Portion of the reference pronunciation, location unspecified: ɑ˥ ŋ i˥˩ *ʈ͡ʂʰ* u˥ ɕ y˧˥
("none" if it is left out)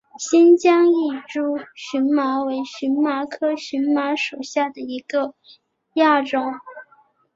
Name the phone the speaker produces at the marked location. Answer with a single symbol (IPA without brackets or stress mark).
ʈ͡ʂ